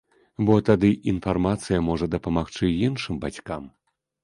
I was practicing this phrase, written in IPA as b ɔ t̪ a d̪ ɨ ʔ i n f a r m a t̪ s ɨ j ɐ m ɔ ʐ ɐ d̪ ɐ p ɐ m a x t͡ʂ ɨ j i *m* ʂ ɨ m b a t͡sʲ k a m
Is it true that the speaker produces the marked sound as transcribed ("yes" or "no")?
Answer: no